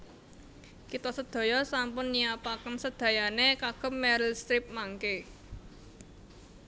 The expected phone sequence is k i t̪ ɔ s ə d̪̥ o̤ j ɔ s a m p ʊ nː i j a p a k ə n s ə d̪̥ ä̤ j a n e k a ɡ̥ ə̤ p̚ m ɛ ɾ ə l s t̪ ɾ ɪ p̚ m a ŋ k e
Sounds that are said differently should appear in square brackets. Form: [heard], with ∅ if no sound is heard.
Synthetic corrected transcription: k i t̪ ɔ s ə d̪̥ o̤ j ɔ s a m p ʊ nː i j a p a k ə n s ə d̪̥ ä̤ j a n e k a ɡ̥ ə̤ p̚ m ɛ ɾ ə l s t̪ ɾ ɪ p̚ m a ŋ k e

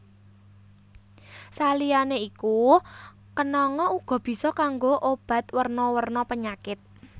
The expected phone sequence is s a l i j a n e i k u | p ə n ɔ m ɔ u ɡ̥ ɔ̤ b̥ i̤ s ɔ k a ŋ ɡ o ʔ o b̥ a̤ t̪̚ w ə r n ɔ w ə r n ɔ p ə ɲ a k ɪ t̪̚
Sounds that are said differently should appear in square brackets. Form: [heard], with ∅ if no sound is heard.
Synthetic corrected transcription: s a l i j a n e i k u | [k] ə n ɔ [ŋ] ɔ u ɡ̥ ɔ̤ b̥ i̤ s ɔ k a ŋ ɡ o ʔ o b̥ a̤ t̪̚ w ə r n ɔ w ə r n ɔ p ə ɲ a k ɪ t̪̚

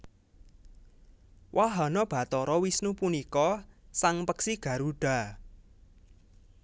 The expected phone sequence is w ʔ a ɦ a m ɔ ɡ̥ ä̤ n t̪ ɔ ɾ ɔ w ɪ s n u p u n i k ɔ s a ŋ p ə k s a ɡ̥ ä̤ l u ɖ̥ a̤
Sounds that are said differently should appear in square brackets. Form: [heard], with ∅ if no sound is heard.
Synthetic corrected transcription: w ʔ a ɦ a [n] ɔ [b̥] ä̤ [∅] t̪ ɔ ɾ ɔ w [i] s n u p u n i k ɔ s a ŋ p ə k s [i] ɡ̥ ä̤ [ɾ] u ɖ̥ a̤

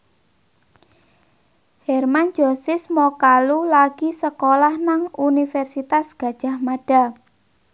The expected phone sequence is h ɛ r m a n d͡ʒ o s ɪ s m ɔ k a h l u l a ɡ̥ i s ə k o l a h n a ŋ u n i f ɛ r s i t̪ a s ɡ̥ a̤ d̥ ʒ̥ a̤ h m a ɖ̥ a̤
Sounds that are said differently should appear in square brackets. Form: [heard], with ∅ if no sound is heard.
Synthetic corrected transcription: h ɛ r m a n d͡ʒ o s ɪ s m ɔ k a [∅] l u l a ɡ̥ i s ə k o l a h n a ŋ u n i f ɛ r s i t̪ a s ɡ̥ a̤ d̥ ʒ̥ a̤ h m a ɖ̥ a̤

